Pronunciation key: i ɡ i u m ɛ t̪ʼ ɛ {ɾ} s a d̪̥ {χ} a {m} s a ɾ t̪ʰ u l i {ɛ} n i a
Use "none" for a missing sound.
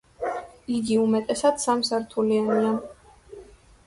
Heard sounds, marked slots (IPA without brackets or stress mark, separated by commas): none, s, m, a